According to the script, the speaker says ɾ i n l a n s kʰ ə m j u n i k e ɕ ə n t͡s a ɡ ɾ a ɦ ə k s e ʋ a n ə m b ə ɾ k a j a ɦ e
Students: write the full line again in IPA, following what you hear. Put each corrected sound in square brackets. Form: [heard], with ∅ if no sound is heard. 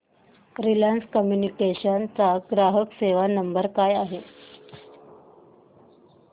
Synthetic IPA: ɾ i [∅] l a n s [k] ə m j u n i k e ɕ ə n t͡s a ɡ ɾ a ɦ ə k s e ʋ a n ə m b ə ɾ k a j a ɦ e